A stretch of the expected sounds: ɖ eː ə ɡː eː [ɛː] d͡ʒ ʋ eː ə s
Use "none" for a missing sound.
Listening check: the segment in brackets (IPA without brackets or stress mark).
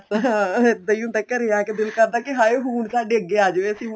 aː